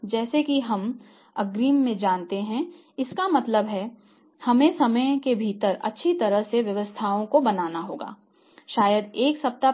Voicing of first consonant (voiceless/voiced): voiced